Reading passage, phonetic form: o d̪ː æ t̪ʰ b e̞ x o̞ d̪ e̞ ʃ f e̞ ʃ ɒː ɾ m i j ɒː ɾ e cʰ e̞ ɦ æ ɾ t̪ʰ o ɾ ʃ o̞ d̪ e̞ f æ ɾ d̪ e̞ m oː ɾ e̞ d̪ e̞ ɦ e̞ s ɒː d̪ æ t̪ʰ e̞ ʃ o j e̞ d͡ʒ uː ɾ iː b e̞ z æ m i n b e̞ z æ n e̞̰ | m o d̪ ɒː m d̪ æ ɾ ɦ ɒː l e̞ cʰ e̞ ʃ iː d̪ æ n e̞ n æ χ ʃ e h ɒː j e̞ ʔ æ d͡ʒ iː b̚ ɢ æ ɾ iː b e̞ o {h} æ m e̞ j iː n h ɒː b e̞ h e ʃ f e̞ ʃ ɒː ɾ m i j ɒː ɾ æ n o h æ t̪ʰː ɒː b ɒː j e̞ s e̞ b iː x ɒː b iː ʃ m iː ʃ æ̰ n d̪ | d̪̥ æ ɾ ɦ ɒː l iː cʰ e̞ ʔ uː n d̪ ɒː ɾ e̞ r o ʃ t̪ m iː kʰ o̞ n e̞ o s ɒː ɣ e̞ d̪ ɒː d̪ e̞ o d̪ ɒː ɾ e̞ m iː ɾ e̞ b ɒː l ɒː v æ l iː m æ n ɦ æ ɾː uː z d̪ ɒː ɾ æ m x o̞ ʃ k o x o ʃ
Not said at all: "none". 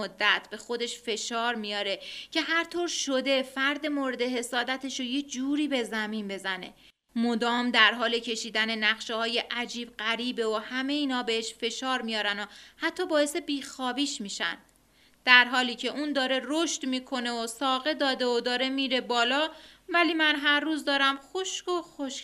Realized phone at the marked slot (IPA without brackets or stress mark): h